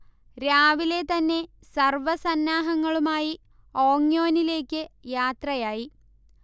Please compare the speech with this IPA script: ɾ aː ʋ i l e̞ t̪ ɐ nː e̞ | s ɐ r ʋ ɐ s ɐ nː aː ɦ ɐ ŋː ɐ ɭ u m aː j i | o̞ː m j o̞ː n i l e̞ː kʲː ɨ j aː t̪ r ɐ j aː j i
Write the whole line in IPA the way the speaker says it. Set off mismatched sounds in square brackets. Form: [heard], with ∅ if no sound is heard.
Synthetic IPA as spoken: ɾ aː ʋ i l e̞ t̪ ɐ nː e̞ | s ɐ r ʋ ɐ s ɐ nː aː ɦ ɐ ŋː ɐ ɭ u m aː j i | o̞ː [ŋ] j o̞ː n i l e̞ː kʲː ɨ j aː t̪ r ɐ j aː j i